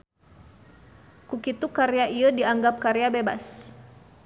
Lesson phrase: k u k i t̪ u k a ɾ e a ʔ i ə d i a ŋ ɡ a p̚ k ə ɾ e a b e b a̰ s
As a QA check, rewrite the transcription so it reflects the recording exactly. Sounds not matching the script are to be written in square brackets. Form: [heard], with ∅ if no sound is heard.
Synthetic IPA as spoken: k u k i t̪ u k a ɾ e a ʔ i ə d i a ŋ ɡ a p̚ k [a] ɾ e a b e b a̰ s